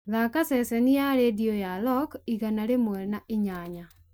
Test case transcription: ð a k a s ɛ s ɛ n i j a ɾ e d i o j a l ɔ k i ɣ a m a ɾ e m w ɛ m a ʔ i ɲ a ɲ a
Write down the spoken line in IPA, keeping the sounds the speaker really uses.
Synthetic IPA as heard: ð a k a s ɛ s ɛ n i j a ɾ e d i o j a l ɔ k i ɣ a n a ɾ e m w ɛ n a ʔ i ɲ a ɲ a